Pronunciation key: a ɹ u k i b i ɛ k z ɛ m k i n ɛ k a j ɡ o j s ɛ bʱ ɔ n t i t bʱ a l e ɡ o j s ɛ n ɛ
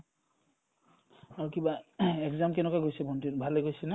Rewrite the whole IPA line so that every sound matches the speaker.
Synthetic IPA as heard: a ɹ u k i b a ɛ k z a m k ɛ n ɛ k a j ɡ o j s ɛ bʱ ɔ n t i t bʱ a l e ɡ o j s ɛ n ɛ